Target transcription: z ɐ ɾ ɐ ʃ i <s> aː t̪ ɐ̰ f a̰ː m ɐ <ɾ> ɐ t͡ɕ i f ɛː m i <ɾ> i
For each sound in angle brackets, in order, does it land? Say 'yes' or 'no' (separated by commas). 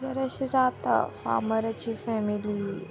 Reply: no, yes, no